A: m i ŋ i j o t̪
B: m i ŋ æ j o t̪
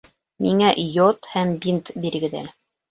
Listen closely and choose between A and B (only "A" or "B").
B